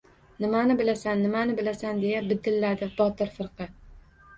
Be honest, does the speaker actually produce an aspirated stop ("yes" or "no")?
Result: no